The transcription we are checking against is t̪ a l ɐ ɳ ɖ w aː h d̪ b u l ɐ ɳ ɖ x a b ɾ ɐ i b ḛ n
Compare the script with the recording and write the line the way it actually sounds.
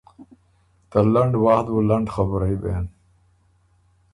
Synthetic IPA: t̪ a l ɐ ɳ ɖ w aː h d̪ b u l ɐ ɳ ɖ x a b ɾ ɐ i b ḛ n